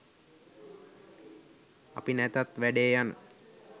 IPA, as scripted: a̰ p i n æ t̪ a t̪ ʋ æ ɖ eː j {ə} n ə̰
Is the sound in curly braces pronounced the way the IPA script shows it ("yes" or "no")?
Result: no